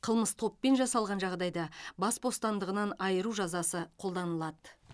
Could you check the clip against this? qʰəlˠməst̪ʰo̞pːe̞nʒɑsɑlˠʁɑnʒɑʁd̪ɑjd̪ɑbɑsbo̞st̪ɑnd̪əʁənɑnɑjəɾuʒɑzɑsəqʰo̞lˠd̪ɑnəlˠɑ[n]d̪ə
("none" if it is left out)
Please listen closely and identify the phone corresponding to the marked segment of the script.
none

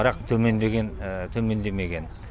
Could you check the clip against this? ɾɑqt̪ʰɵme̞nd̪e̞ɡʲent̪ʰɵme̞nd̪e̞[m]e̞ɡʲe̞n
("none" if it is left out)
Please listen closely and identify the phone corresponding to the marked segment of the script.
m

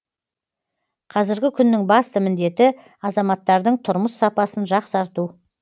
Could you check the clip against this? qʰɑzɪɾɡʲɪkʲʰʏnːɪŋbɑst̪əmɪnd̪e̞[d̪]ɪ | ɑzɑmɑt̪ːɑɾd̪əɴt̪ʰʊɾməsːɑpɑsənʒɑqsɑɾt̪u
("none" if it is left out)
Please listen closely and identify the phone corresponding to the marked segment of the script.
t̪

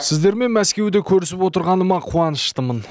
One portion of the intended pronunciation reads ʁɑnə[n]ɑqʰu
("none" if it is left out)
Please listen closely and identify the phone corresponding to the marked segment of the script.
m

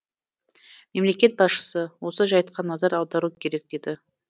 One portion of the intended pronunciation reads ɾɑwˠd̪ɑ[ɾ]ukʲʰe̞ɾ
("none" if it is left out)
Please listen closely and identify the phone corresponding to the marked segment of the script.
ɾ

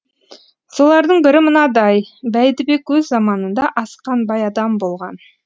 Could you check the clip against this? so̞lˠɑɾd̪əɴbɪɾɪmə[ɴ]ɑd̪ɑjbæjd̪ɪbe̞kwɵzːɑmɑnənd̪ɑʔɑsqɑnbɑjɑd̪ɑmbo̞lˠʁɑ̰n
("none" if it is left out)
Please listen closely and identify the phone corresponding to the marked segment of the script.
n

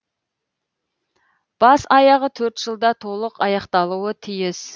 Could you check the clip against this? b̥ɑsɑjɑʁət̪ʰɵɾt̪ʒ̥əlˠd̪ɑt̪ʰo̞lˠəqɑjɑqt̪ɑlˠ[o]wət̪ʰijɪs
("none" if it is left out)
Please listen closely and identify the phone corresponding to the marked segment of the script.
u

